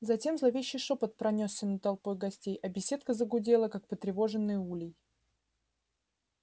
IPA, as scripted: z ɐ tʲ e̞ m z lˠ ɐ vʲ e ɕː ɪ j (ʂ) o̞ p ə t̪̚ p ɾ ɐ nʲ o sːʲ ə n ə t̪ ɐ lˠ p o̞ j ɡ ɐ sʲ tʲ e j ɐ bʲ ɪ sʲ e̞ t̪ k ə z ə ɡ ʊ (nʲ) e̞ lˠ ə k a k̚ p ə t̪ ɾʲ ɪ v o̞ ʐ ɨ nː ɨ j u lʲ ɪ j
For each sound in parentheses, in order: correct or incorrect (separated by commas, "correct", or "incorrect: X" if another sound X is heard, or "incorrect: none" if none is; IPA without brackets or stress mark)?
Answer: correct, incorrect: dʲ